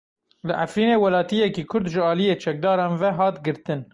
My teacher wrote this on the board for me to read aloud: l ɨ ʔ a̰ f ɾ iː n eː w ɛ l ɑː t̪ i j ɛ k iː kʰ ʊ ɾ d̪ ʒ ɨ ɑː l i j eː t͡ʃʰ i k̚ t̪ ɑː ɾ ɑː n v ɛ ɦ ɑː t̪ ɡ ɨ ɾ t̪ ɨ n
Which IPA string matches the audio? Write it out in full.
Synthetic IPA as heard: l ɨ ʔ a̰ f ɾ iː n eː w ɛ l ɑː t̪ i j ɛ k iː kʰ ʊ ɾ d̪ ʒ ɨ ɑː l i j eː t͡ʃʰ ɛ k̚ d̪ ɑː ɾ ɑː n v ɛ ɦ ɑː t̪ ɡ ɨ ɾ t̪ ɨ n